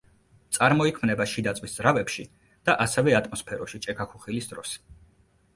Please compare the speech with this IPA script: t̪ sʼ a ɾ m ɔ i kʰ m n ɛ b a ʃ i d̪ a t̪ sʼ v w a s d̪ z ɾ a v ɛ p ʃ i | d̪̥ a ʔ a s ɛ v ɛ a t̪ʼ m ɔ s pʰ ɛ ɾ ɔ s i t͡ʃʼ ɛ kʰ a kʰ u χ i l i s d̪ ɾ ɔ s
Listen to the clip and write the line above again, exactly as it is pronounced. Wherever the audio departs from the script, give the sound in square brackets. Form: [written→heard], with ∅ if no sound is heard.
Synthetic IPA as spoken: t̪ sʼ a ɾ m ɔ i kʰ m n ɛ b a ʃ i d̪ a t̪ sʼ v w [a→i] s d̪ z ɾ a v ɛ p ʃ i | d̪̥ a ʔ a s ɛ v ɛ a t̪ʼ m ɔ s pʰ ɛ ɾ ɔ [s→ʃ] i t͡ʃʼ ɛ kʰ a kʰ u χ i l i s d̪ ɾ ɔ s

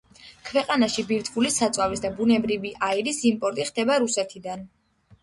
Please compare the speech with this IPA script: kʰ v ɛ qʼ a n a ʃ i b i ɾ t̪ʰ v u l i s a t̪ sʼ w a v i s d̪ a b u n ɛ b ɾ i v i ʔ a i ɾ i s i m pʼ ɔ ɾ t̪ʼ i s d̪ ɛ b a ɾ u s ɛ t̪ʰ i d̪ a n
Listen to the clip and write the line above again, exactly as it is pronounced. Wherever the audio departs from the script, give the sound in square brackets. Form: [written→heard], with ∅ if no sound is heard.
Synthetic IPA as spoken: kʰ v ɛ qʼ a n a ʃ i b i ɾ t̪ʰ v u l i s a t̪ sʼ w a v i s d̪ a b u n ɛ b ɾ i v i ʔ a i ɾ i s i m pʼ ɔ ɾ t̪ʼ i [s→χ] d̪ ɛ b a ɾ u s ɛ t̪ʰ i d̪ a n

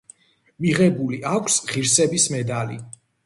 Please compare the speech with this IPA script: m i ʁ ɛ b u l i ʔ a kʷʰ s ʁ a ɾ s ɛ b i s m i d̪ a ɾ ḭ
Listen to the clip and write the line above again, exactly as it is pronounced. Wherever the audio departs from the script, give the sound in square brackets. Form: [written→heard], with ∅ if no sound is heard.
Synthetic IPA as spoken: m i ʁ ɛ b u l i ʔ a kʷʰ s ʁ [a→i] ɾ s ɛ b i s m [i→ɛ] d̪ a [ɾ→l] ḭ

